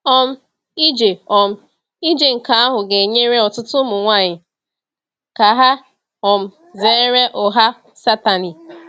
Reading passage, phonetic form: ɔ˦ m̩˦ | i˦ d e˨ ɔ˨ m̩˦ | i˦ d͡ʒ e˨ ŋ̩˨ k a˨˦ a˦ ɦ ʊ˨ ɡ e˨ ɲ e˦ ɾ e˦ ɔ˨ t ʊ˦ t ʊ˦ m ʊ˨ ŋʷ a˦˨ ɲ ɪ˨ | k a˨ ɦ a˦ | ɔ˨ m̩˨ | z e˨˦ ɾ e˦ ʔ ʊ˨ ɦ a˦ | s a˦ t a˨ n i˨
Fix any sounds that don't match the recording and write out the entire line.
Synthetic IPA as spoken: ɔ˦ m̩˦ | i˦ d͡ʒ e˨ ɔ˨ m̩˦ | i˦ d͡ʒ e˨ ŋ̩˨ k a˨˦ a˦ ɦ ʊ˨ ɡ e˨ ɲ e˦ ɾ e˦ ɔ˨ t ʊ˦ t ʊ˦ m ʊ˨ ŋʷ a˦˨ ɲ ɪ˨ | k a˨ ɦ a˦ | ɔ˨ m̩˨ | z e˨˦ ɾ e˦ ʔ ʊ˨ ɦ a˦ | s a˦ t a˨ n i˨